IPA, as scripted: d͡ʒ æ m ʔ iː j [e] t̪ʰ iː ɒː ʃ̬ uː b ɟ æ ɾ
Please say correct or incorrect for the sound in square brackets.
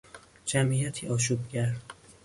incorrect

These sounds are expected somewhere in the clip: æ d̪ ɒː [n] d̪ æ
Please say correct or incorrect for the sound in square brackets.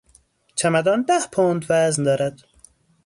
correct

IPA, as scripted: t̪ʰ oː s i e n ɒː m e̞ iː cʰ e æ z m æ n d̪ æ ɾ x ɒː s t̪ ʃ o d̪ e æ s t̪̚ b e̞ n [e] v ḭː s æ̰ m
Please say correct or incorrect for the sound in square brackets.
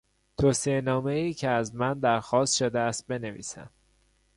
correct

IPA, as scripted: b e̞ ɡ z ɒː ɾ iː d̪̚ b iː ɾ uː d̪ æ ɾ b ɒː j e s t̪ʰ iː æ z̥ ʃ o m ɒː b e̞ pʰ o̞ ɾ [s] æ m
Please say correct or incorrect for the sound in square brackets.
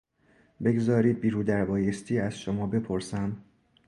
correct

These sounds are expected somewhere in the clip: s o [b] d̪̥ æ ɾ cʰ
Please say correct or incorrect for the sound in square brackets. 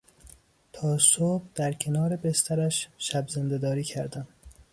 correct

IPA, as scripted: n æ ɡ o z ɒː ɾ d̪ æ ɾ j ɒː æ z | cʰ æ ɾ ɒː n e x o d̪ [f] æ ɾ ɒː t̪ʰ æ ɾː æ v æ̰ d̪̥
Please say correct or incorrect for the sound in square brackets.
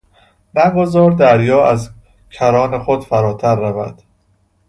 correct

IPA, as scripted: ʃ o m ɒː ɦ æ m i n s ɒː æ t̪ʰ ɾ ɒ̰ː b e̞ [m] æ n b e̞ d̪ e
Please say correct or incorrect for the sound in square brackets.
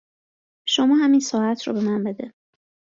correct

